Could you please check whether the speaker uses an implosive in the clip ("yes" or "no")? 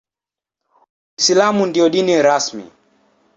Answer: yes